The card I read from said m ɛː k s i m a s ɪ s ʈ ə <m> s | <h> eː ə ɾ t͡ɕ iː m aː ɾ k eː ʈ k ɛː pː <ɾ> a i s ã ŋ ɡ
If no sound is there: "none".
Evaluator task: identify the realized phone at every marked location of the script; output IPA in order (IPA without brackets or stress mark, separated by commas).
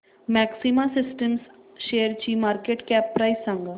m, ʃ, ɾ